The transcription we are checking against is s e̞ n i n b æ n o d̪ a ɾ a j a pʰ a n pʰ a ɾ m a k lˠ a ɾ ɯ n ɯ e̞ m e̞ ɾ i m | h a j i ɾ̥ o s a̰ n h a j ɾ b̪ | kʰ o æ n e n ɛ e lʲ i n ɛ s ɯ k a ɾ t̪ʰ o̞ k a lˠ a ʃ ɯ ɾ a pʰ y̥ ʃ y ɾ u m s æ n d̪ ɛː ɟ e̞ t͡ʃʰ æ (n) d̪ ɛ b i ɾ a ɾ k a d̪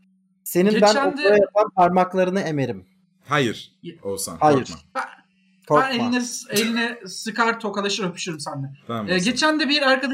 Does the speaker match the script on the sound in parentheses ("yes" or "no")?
yes